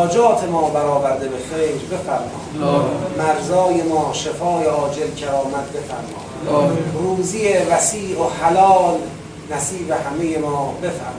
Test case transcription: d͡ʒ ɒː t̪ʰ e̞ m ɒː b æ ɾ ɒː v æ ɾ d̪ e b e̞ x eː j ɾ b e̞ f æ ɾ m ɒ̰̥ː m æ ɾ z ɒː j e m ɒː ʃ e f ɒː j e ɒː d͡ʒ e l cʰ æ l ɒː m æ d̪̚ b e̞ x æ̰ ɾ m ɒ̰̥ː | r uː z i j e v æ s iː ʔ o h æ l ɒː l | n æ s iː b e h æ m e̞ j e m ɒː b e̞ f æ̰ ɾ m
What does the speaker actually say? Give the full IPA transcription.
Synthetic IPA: d͡ʒ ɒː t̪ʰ e̞ m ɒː b æ ɾ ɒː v æ ɾ d̪ e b e̞ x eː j ɾ b e̞ f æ ɾ m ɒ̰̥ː m æ ɾ z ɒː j e m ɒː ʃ e f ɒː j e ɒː d͡ʒ e l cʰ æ ɾ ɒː m æ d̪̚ b e̞ f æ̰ ɾ m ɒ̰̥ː | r uː z i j e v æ s iː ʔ o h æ l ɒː l | n æ s iː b e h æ m e̞ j e m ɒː b e̞ f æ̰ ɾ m